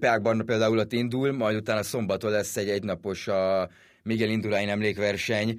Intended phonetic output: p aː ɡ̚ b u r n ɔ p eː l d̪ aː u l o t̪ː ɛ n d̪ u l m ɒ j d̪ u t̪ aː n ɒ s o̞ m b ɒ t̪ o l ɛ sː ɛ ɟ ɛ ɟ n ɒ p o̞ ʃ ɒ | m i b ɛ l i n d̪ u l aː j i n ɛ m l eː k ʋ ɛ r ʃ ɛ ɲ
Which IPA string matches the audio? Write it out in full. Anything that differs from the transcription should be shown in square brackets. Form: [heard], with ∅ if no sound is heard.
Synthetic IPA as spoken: p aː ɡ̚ b [ɒ] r n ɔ p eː l d̪ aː u l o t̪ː [i] n d̪ u l m ɒ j d̪ u t̪ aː n ɒ s o̞ m b ɒ t̪ o l ɛ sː ɛ ɟ ɛ ɟ n ɒ p o̞ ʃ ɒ | m i [ɡ] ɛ l i n d̪ u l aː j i n ɛ m l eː k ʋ ɛ r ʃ ɛ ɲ